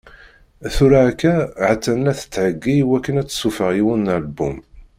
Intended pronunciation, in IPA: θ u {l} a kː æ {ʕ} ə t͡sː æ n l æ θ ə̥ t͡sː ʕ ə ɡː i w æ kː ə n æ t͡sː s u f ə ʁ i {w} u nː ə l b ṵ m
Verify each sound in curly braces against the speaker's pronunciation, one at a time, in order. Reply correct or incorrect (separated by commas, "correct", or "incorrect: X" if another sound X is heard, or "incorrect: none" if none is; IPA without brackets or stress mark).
incorrect: ɾ, correct, correct